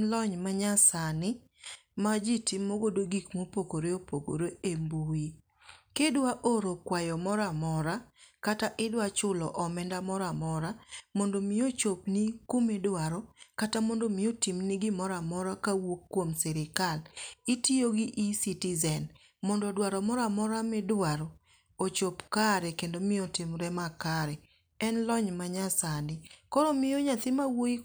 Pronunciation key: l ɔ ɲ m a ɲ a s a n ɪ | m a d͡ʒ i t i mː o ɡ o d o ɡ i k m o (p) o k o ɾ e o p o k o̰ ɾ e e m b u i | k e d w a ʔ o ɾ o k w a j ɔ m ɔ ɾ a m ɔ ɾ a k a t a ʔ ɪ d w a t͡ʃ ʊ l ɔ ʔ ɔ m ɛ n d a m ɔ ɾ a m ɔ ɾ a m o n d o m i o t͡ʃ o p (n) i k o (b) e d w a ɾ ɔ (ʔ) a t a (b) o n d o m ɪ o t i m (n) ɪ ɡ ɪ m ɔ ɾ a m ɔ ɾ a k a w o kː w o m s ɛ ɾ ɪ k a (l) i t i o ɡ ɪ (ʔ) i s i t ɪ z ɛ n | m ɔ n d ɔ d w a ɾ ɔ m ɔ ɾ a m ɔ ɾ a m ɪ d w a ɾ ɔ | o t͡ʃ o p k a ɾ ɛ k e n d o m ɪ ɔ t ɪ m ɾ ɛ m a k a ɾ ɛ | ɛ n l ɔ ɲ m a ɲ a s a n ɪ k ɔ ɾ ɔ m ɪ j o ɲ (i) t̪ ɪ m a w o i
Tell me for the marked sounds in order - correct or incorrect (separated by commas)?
correct, correct, incorrect, incorrect, incorrect, correct, correct, correct, incorrect